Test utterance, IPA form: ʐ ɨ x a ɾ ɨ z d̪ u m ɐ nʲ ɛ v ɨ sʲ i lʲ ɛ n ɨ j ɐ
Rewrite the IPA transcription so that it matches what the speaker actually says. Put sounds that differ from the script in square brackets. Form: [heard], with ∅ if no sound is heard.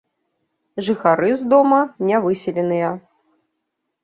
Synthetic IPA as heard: ʐ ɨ x a ɾ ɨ z d̪ [ɔ] m ɐ nʲ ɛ v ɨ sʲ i lʲ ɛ n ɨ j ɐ